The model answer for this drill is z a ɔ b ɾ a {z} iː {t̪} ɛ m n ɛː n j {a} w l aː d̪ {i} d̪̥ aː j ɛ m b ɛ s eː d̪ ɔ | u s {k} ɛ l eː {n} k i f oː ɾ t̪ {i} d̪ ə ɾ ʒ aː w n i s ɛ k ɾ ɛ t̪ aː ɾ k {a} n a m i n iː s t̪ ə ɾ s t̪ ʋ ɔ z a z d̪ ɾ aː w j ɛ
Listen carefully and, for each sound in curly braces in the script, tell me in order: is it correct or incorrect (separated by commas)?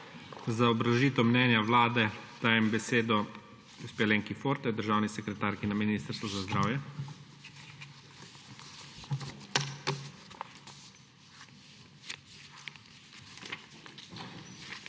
incorrect, correct, correct, incorrect, incorrect, incorrect, incorrect, incorrect